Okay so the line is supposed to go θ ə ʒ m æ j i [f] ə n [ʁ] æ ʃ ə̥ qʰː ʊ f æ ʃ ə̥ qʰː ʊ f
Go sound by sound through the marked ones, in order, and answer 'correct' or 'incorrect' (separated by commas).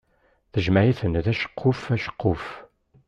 incorrect, incorrect